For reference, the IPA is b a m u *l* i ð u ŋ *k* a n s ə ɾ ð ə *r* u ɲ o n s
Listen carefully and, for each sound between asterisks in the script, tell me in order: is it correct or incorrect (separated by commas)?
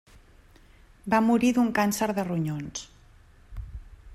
incorrect, correct, correct